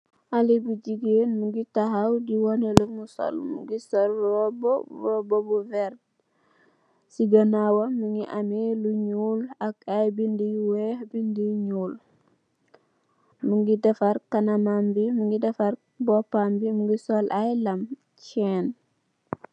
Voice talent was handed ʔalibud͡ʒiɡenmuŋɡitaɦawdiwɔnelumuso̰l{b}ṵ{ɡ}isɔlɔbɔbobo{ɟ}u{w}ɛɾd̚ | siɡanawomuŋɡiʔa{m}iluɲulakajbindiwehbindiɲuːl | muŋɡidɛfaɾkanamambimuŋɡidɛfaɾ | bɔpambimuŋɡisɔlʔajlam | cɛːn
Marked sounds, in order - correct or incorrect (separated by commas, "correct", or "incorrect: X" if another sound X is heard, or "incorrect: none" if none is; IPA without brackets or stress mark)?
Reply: incorrect: m, correct, incorrect: b, incorrect: v, correct